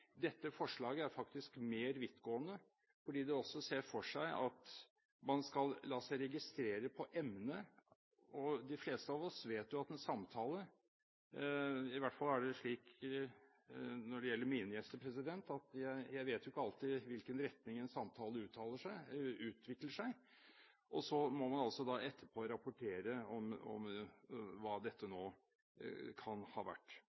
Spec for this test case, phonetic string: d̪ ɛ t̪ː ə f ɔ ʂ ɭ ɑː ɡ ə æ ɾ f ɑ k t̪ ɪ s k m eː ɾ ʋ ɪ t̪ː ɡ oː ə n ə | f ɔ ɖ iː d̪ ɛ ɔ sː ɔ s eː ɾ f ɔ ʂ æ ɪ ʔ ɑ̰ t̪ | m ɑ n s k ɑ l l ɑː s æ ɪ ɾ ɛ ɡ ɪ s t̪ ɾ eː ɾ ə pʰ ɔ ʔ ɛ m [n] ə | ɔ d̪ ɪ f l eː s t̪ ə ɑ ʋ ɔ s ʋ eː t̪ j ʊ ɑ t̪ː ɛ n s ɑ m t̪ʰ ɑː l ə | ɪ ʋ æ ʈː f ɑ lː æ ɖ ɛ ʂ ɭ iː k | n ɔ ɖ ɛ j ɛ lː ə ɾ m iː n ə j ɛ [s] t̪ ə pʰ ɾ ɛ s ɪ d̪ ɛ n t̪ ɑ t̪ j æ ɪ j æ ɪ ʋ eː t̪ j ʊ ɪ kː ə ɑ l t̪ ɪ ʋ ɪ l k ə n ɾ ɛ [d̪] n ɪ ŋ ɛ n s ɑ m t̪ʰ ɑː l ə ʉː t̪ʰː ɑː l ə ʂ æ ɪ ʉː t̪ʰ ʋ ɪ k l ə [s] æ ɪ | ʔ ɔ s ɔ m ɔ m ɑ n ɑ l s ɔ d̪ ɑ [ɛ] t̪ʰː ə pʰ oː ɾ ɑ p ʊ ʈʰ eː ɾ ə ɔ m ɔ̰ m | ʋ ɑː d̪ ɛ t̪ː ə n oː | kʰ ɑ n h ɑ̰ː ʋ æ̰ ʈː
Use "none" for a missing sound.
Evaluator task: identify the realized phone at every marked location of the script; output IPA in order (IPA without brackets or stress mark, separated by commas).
n, s, t̪, ʂ, ɛ